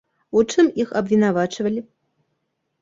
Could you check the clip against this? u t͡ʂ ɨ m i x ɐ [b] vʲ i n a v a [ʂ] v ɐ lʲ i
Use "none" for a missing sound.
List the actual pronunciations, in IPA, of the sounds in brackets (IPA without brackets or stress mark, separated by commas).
b, t͡ʂ